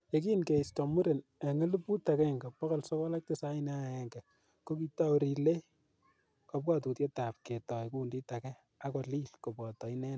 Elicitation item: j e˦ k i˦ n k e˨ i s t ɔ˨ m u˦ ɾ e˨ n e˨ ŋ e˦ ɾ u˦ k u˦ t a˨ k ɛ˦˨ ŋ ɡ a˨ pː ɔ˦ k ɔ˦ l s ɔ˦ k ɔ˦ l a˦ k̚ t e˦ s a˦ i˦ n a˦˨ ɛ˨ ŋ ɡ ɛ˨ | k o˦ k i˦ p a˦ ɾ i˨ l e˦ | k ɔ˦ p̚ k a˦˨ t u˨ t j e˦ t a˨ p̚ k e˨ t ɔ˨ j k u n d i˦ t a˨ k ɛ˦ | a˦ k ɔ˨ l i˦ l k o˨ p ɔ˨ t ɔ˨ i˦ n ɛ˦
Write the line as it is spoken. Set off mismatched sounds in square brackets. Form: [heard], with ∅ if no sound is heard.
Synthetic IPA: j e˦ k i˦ n k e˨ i s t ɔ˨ m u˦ ɾ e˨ n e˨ ŋ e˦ [l] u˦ [p] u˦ t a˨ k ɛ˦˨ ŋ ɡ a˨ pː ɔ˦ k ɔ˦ l s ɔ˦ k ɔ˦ l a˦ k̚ t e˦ s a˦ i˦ n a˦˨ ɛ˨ ŋ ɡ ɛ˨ | k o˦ k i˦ [t] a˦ ɾ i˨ l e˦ | k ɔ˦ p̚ k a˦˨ t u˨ t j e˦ t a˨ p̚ k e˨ t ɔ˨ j k u n d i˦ t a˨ k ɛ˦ | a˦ k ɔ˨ l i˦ l k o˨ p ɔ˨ t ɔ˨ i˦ n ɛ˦